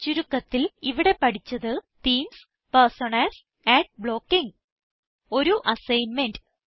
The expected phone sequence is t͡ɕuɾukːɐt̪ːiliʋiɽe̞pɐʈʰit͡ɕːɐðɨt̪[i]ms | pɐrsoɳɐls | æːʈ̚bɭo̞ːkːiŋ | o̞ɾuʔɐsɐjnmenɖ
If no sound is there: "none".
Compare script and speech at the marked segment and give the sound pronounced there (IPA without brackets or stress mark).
iː